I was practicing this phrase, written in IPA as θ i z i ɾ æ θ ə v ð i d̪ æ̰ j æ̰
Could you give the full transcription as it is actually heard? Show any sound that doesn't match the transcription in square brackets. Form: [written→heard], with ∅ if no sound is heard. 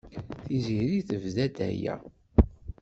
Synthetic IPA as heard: θ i z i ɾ [æ→i] θ ə v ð [i→æ] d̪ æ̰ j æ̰